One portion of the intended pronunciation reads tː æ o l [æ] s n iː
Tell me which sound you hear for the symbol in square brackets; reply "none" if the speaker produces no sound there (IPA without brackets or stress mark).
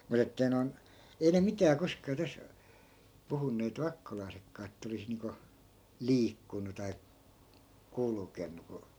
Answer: i